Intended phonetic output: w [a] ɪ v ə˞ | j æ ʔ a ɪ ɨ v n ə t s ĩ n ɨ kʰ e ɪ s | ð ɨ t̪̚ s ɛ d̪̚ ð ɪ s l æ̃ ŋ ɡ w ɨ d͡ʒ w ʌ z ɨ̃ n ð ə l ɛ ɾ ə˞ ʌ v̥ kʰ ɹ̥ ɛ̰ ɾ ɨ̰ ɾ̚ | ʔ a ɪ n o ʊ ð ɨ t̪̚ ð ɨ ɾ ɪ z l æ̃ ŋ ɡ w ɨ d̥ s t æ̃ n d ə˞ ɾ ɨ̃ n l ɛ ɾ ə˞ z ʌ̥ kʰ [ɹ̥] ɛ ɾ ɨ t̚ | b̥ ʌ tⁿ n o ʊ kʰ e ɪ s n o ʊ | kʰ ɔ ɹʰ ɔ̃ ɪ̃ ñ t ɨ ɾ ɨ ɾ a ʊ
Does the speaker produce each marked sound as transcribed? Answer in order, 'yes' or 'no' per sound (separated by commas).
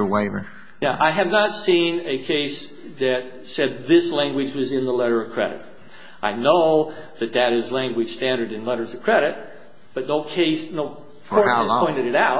no, yes